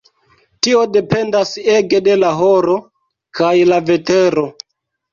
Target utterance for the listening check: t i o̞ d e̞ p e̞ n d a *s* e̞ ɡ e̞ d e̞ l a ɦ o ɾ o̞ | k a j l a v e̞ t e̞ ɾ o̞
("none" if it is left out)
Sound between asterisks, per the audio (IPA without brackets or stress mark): s